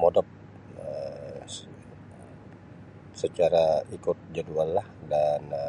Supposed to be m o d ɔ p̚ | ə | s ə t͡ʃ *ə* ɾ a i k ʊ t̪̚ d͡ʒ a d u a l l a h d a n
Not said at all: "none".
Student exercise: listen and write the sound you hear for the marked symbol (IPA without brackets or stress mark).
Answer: a